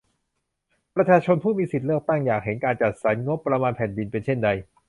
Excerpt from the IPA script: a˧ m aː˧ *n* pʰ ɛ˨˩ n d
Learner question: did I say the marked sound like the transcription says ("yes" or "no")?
yes